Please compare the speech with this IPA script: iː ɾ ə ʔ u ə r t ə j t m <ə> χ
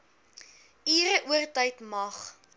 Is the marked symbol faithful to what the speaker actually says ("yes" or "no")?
no